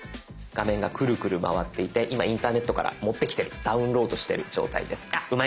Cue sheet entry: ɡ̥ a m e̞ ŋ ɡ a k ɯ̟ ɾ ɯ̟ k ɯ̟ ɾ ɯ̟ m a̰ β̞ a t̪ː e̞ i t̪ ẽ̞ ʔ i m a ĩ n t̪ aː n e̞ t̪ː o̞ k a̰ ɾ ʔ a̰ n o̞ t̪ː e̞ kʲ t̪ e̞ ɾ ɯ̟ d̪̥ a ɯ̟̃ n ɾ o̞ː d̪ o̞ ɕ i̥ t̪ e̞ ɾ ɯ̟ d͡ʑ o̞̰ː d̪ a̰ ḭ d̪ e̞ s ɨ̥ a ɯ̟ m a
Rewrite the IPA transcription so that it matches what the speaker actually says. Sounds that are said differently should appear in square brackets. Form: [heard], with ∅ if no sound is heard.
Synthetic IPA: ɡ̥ a m [ẽ̞] ŋ ɡ a k ɯ̟ ɾ ɯ̟ k ɯ̟ ɾ ɯ̟ m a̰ β̞ a t̪ː e̞ i t̪ [e̞] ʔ i m a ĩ n t̪ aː n e̞ t̪ː o̞ k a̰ ɾ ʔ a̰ [m] o̞ t̪ː e̞ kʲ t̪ e̞ ɾ ɯ̟ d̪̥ a ɯ̟̃ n ɾ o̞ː d̪ o̞ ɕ i̥ t̪ e̞ ɾ ɯ̟ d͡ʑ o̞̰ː [t̪] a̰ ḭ d̪ e̞ s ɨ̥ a ɯ̟ m a